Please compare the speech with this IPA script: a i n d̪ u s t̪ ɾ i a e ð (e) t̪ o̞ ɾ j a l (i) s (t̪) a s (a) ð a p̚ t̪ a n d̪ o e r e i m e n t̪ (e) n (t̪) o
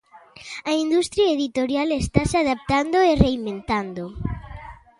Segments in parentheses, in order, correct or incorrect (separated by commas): incorrect, incorrect, correct, correct, incorrect, incorrect